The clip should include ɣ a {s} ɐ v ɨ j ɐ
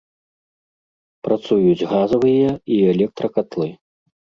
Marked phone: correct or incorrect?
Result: incorrect